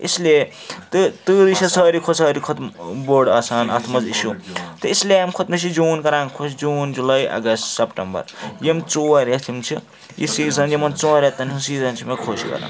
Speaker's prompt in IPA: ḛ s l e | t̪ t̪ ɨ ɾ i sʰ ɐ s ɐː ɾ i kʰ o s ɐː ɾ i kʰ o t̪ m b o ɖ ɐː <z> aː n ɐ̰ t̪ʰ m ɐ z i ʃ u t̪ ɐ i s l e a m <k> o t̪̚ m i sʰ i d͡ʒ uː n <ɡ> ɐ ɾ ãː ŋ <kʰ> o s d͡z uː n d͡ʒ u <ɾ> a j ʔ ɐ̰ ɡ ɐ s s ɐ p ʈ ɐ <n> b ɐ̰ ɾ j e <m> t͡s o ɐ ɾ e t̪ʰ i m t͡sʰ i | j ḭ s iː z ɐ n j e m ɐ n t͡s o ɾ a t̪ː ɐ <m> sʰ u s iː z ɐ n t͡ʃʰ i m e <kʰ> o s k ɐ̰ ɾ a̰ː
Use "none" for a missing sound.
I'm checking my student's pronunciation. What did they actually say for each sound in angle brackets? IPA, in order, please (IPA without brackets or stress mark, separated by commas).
s, kʰ, k, kʰ, l, m, m, n, kʰ